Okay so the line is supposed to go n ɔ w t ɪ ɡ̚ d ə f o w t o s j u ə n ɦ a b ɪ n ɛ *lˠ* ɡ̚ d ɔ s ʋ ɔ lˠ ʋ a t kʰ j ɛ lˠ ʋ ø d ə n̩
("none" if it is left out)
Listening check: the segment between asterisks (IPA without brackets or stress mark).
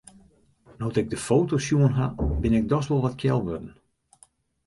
none